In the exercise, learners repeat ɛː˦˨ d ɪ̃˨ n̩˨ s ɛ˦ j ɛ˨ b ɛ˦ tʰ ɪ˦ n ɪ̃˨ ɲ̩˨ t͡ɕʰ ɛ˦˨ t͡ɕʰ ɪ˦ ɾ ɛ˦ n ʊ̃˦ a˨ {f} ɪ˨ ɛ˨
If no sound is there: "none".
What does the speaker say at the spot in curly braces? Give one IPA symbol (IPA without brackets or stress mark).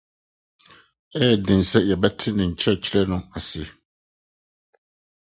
s